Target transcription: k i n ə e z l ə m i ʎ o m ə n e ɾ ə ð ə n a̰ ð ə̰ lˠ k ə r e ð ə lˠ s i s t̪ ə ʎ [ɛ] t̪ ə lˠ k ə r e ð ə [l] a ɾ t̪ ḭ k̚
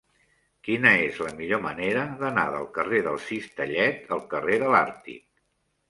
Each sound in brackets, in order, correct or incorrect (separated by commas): correct, correct